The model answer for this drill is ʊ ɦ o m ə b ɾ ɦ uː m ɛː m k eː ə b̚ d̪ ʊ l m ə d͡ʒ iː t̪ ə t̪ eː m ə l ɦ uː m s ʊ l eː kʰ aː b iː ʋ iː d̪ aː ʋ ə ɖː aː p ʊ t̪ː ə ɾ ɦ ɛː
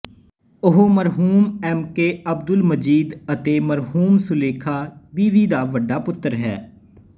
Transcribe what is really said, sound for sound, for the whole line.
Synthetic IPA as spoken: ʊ ɦ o m ə ɾ ɦ uː m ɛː m k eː ə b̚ d̪ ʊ l m ə d͡ʒ iː d̪ ə t̪ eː m ə ɾ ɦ uː m s ʊ l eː kʰ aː b iː ʋ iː d̪ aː ʋ ə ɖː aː p ʊ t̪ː ə ɾ ɦ ɛː